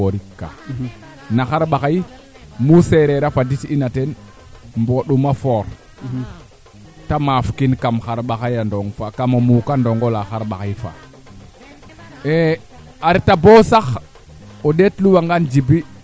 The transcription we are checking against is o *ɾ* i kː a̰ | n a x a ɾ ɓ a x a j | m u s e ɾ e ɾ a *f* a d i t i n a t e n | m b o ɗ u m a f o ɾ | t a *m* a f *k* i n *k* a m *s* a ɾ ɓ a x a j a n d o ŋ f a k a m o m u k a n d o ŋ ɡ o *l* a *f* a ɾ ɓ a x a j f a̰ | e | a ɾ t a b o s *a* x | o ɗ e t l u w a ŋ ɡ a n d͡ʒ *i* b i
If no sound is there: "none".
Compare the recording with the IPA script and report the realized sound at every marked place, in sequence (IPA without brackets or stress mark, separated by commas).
ɾ, f, m, k, k, x, l, x, a, i